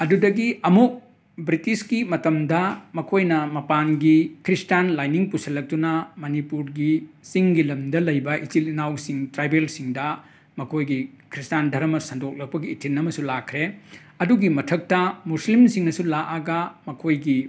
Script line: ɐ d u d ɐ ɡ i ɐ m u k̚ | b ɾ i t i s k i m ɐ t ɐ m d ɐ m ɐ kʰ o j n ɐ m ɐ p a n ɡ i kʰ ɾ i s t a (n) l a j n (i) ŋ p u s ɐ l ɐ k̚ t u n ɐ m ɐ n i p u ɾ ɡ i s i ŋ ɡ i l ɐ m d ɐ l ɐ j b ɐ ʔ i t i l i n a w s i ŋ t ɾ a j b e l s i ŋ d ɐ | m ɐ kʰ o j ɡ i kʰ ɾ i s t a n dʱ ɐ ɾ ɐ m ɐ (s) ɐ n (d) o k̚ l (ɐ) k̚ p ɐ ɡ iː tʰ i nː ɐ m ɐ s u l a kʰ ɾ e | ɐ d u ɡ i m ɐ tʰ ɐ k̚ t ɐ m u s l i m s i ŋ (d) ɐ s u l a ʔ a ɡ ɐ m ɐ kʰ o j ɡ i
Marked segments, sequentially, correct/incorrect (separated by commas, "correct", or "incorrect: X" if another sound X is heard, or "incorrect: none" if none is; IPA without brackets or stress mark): correct, correct, correct, correct, correct, incorrect: n